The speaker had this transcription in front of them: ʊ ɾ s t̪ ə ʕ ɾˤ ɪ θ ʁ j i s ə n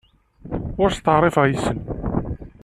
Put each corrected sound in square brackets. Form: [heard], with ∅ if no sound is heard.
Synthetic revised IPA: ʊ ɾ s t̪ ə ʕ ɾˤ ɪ [f] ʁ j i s ə n